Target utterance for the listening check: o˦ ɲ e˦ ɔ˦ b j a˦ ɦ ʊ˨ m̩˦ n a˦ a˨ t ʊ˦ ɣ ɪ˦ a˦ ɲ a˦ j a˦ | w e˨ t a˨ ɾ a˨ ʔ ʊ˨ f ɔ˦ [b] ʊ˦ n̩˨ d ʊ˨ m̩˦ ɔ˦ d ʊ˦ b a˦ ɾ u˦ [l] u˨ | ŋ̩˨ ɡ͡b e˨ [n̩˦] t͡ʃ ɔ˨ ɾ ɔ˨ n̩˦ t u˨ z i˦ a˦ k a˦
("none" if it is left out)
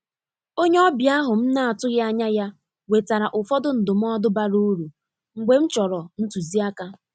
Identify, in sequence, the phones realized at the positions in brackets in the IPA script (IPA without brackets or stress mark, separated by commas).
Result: d, ɾ, m̩˦